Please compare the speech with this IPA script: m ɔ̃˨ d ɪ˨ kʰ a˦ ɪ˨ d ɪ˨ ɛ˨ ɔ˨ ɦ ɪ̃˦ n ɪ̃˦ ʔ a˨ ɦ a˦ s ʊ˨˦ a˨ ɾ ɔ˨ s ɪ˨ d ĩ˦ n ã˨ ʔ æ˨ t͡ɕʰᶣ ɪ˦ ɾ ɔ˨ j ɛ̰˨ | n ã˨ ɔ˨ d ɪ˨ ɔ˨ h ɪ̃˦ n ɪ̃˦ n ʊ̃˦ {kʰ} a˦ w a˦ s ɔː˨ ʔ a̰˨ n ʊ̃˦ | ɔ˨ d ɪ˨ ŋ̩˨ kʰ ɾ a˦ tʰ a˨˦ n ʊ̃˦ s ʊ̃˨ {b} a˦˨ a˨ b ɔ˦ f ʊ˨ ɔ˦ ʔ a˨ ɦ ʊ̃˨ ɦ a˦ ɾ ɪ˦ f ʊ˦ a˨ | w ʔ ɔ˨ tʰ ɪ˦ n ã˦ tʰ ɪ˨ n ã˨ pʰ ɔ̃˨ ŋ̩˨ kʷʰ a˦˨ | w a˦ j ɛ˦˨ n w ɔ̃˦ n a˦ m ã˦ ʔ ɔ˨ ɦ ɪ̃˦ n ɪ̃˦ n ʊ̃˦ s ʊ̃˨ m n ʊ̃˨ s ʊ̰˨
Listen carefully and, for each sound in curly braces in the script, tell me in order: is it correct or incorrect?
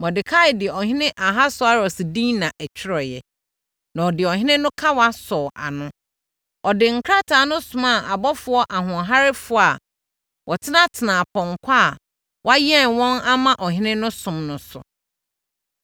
correct, incorrect: m

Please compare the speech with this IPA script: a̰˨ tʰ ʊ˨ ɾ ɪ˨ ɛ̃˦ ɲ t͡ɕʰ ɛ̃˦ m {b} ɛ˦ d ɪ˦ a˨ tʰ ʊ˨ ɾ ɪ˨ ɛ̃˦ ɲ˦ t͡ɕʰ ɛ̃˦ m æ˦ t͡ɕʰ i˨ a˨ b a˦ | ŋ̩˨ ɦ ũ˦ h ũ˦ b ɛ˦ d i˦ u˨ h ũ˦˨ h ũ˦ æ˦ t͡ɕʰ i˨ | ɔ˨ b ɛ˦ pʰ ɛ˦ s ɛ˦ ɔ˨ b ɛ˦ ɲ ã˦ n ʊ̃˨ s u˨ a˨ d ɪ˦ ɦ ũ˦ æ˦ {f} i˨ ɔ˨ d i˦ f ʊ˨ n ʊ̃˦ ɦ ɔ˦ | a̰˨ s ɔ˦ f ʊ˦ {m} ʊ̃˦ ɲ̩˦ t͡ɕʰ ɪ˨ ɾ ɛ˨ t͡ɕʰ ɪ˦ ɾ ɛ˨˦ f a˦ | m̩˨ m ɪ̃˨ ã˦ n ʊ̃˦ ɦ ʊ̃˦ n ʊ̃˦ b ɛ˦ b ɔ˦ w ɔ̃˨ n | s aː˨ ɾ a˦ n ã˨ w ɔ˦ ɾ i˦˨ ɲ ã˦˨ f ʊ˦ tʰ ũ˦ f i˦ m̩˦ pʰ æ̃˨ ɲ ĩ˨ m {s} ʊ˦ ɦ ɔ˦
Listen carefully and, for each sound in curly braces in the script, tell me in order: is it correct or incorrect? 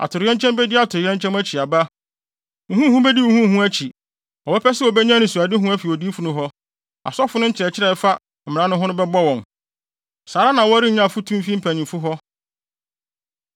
correct, correct, incorrect: n, incorrect: f

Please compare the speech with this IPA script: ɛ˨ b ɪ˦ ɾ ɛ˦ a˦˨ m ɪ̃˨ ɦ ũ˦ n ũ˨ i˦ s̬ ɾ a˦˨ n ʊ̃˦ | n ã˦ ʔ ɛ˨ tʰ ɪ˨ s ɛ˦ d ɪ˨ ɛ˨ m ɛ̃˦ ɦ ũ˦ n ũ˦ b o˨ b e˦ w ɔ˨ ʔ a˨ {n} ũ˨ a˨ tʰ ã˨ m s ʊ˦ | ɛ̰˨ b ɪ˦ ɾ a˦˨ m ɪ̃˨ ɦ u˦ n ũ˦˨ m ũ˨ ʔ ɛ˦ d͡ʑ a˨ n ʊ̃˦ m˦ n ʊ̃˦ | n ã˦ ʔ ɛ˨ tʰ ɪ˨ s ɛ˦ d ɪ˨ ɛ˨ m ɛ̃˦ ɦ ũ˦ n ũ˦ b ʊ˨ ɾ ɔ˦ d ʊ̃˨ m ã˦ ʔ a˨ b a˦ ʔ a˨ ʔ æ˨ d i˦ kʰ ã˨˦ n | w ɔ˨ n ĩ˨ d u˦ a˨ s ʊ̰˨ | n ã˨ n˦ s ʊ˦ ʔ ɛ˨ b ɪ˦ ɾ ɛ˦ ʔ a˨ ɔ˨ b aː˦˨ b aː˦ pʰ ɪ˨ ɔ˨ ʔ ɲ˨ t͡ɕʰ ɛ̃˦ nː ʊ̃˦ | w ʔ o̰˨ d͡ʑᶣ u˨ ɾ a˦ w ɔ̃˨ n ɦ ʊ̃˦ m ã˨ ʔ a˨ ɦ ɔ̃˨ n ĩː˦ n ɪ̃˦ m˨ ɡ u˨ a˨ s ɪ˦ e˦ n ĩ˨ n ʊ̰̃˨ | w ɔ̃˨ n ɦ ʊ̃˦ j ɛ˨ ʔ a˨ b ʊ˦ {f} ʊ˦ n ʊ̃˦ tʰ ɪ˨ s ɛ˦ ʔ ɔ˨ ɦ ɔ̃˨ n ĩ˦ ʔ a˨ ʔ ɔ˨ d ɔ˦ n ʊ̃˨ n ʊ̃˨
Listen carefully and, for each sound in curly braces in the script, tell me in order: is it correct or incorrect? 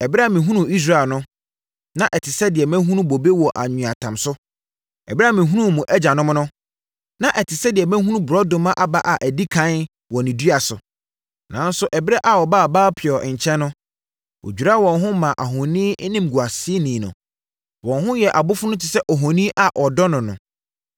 incorrect: ɲ, correct

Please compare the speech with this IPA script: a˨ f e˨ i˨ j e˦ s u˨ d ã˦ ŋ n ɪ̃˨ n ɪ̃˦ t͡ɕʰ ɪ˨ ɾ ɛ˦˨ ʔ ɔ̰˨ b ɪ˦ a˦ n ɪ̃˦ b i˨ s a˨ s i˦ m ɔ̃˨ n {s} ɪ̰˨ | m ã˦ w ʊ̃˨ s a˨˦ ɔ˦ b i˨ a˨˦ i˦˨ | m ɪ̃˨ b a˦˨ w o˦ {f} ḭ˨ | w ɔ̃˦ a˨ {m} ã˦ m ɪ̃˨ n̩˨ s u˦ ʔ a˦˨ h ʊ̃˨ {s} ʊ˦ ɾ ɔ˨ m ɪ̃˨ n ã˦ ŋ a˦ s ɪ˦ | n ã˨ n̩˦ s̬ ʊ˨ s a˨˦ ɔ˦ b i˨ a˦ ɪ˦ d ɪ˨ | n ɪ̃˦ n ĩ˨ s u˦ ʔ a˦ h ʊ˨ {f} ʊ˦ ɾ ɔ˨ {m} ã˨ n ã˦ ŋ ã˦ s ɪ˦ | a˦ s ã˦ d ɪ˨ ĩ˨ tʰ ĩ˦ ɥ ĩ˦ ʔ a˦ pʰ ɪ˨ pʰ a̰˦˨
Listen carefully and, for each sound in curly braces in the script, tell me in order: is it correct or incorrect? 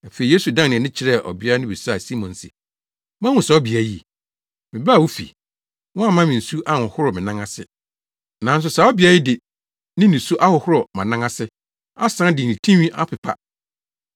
correct, correct, correct, incorrect: h, incorrect: h, correct

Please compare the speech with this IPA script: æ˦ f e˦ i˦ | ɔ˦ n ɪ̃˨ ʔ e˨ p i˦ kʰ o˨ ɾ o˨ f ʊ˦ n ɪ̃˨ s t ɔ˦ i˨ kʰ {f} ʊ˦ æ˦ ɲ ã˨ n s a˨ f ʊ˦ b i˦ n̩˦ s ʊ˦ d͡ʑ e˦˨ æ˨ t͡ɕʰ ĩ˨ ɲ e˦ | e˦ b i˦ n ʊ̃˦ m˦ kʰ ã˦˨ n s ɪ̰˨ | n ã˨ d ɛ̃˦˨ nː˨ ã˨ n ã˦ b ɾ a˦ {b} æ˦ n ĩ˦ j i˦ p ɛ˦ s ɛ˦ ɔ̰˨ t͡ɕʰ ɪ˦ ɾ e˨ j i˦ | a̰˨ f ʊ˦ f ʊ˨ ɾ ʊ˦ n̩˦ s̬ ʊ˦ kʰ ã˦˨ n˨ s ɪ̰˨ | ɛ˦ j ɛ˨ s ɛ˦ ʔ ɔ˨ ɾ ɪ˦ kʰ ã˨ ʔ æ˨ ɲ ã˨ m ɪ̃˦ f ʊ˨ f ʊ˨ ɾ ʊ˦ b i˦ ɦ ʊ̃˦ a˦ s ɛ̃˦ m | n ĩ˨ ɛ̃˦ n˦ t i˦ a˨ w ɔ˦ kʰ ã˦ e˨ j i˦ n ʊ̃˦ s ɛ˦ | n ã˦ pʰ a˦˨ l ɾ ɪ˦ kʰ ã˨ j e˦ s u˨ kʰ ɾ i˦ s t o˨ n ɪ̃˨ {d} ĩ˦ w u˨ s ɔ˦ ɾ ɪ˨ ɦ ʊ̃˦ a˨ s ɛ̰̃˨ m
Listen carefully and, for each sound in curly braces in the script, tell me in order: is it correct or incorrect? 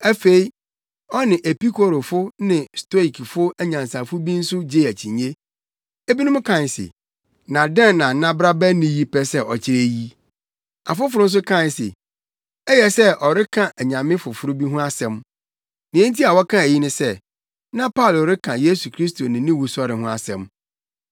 correct, correct, incorrect: n

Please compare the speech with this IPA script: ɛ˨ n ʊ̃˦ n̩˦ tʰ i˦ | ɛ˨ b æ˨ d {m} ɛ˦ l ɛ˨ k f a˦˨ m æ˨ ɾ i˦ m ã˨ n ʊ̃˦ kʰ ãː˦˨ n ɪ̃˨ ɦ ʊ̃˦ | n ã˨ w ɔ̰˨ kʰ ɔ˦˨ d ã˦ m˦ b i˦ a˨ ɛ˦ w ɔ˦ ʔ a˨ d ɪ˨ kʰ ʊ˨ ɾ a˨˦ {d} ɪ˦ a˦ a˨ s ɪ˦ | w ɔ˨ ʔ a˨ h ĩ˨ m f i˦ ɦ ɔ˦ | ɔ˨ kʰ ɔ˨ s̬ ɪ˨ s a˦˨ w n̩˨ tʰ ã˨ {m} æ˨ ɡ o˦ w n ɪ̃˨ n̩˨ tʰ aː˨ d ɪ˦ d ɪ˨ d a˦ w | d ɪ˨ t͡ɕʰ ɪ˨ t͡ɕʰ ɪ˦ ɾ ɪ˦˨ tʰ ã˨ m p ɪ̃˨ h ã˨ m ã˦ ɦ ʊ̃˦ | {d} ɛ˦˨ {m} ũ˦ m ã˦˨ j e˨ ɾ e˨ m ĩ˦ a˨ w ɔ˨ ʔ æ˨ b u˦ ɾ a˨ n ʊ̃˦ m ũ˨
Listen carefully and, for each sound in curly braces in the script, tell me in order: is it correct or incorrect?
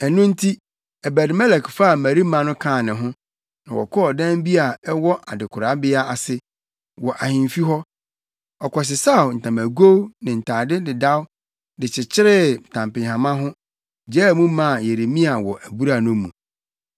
correct, incorrect: b, correct, incorrect: d͡ʑ, correct

